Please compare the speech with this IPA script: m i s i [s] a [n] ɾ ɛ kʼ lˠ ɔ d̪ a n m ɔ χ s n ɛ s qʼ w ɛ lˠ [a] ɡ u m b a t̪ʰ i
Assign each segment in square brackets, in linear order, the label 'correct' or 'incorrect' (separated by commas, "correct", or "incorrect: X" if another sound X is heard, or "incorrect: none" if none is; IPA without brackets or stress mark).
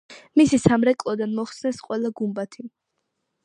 correct, incorrect: m, correct